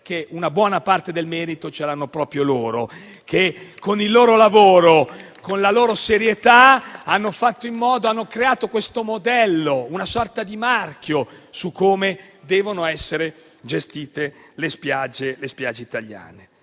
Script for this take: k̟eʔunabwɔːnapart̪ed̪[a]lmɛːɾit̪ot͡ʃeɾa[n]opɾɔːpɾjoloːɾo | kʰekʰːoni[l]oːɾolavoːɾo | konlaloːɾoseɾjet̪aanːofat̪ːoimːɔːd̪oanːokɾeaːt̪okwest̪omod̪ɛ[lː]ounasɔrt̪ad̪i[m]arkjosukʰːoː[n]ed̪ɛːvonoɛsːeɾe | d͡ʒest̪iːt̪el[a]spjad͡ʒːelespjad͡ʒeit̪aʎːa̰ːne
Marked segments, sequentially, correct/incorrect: incorrect, incorrect, incorrect, correct, correct, incorrect, incorrect

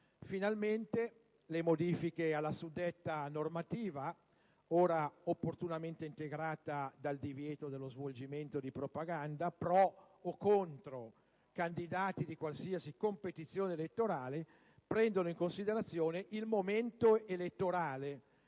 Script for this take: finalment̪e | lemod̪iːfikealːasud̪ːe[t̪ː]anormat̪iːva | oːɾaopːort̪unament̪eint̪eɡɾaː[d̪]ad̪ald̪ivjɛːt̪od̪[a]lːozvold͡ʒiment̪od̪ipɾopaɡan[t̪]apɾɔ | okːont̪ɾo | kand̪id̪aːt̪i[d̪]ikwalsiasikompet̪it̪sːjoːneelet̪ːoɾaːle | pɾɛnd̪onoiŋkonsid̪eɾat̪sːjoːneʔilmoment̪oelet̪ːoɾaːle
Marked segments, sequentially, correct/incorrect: correct, incorrect, incorrect, incorrect, correct

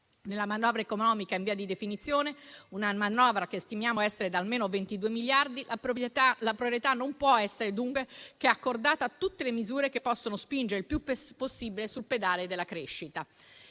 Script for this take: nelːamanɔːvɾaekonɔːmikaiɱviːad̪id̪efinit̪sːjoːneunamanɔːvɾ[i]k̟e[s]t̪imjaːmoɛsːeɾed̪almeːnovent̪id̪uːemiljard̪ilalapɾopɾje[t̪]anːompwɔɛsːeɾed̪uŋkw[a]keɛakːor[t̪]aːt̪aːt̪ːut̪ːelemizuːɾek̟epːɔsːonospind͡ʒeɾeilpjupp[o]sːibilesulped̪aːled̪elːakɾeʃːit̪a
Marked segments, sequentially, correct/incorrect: incorrect, correct, correct, incorrect, incorrect, correct

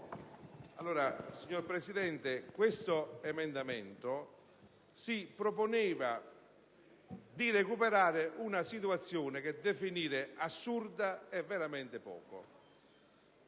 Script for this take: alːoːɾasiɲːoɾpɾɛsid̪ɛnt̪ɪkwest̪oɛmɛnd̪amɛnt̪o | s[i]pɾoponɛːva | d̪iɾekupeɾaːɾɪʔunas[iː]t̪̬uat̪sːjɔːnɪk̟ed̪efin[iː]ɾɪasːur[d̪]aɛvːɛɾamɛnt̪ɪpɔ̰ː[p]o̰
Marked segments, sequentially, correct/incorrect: correct, incorrect, correct, correct, incorrect

